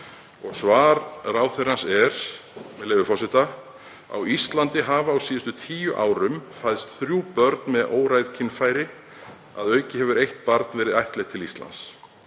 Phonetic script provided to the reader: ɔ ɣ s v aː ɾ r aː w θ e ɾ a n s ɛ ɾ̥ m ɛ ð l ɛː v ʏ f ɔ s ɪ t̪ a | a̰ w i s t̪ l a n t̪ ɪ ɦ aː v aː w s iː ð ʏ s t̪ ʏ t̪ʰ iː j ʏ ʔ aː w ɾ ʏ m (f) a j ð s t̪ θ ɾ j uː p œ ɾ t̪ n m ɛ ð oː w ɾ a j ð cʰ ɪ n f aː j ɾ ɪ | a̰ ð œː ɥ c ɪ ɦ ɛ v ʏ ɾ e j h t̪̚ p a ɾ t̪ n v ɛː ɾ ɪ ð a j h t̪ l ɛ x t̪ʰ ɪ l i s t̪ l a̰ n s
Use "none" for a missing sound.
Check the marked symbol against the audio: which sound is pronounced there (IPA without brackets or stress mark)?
f